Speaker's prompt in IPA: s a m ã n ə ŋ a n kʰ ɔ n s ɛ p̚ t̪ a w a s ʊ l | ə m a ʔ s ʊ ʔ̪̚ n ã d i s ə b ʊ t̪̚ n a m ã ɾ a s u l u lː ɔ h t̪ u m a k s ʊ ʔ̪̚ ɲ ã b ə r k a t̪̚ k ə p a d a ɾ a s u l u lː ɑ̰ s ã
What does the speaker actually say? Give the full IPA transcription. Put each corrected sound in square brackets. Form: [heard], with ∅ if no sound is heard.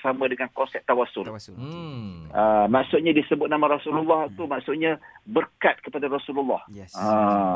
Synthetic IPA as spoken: s a m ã [d] ə ŋ a n [k] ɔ n s ɛ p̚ t̪ a w a s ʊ l | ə m a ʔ s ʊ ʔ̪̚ [ɲ] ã d i s ə b ʊ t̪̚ n a m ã ɾ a s u l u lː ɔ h t̪ u m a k s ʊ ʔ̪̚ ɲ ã b ə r k a t̪̚ k ə p a d a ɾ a s u l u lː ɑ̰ [h] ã